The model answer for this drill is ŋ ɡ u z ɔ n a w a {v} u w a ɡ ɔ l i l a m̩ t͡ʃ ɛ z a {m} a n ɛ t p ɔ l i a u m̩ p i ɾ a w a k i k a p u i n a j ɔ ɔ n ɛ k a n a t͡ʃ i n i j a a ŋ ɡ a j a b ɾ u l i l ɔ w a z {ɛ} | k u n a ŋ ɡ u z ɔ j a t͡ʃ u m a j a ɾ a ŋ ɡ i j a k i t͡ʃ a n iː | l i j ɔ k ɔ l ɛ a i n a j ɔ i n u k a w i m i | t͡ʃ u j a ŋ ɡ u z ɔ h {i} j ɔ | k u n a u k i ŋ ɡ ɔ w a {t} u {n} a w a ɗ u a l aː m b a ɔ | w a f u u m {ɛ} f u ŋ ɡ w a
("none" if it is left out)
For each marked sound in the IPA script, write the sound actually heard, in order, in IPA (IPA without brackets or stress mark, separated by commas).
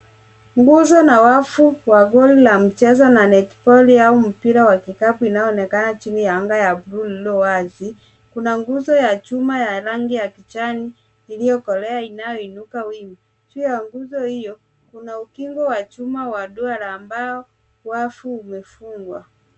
f, n, i, i, t͡ʃ, m, ɛ